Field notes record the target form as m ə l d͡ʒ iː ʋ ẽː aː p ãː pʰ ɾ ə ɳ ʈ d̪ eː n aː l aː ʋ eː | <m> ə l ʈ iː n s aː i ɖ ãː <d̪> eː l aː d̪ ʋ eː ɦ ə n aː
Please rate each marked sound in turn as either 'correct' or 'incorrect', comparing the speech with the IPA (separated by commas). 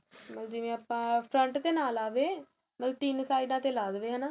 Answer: correct, incorrect